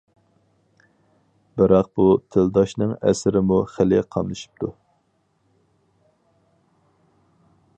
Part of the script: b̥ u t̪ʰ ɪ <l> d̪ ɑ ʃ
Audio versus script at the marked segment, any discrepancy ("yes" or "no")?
no